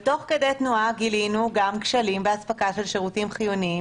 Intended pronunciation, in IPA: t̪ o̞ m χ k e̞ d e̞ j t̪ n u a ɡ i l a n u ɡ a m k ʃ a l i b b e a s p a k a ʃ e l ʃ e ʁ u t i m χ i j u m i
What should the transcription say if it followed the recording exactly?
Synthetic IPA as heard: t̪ o̞ χ k e̞ d e̞ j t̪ n u a ɡ i l i n u ɡ a m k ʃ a l i m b e a s p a k a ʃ e l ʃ e ʁ u t i m χ i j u n i